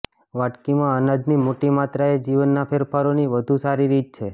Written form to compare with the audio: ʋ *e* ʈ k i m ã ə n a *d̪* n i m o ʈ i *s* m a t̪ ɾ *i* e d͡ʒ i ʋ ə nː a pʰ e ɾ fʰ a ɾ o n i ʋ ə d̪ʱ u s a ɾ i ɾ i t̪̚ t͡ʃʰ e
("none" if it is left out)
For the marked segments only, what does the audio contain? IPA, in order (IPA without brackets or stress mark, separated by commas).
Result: a, d̪, none, a